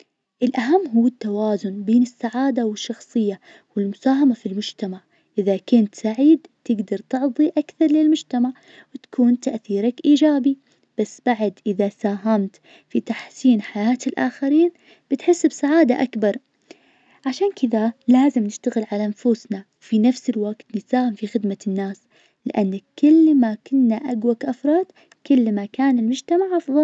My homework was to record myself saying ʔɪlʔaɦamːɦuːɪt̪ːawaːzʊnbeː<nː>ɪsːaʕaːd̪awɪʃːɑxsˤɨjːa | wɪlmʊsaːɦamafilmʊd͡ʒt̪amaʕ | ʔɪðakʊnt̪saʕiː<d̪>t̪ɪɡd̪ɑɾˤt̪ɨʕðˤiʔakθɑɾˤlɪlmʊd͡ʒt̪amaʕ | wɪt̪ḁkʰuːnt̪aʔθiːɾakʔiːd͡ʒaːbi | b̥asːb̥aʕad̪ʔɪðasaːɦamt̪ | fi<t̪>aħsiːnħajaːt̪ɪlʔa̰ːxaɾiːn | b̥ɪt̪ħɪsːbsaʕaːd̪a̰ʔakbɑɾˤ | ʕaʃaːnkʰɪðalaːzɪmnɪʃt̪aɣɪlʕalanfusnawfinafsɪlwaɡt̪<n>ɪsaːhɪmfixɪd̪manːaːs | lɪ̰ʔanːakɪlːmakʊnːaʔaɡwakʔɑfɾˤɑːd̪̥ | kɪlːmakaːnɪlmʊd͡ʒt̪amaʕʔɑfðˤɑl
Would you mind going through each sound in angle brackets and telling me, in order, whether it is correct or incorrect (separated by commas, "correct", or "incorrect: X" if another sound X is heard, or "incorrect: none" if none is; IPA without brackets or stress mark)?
incorrect: n, correct, correct, correct